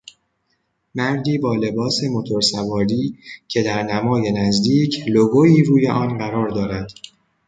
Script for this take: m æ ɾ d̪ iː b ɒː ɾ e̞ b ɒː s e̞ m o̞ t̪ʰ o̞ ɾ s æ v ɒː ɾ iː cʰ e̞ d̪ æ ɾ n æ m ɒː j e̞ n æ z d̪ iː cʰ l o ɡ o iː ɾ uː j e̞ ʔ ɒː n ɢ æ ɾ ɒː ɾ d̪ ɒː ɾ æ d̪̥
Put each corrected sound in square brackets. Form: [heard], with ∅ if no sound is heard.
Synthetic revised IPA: m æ ɾ d̪ iː b ɒː [l] e̞ b ɒː s e̞ m o̞ t̪ʰ o̞ ɾ s æ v ɒː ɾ iː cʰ e̞ d̪ æ ɾ n æ m ɒː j e̞ n æ z d̪ iː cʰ l o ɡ o iː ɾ uː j e̞ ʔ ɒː n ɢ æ ɾ ɒː ɾ d̪ ɒː ɾ æ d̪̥